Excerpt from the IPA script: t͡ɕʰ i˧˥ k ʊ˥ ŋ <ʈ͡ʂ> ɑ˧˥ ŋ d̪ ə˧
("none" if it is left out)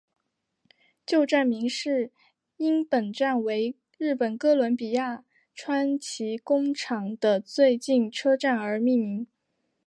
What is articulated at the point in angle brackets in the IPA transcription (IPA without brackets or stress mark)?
ʈ͡ʂʰ